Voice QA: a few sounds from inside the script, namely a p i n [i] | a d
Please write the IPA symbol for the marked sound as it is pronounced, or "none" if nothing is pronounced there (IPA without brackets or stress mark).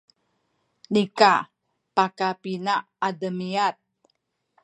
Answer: a